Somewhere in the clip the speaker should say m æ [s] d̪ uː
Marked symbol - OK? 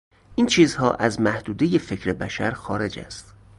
no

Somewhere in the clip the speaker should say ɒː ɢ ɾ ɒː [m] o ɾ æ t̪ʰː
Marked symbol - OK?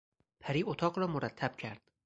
yes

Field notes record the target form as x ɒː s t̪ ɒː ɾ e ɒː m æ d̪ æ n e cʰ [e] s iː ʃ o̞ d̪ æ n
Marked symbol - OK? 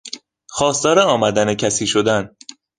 no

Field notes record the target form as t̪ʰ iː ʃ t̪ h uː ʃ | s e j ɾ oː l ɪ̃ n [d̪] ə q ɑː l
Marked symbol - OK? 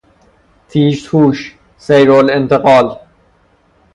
no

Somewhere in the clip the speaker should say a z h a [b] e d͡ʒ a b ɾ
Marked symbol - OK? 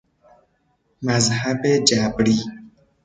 yes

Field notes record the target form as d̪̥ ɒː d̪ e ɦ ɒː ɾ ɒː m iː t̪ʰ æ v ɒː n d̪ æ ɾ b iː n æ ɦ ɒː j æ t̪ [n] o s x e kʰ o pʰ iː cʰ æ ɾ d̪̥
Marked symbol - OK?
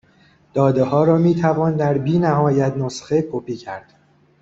yes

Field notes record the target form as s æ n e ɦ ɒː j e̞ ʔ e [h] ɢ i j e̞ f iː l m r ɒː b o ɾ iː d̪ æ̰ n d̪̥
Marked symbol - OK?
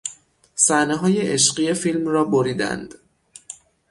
no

